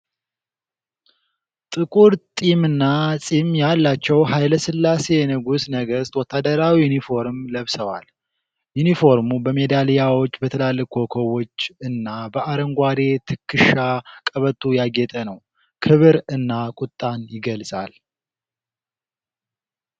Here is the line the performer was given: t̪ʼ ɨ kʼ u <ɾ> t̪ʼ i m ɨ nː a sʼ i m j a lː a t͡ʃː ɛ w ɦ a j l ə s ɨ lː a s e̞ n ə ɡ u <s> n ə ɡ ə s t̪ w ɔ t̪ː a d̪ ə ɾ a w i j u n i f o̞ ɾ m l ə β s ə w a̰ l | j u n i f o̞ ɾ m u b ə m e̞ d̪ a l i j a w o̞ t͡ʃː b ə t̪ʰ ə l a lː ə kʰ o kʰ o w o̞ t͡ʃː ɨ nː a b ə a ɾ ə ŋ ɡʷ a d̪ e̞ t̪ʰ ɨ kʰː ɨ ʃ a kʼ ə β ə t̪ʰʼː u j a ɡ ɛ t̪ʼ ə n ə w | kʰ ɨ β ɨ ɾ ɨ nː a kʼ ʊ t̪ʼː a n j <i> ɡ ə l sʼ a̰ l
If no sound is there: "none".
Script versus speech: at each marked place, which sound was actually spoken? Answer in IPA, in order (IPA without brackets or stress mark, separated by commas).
ɾ, s, ɪ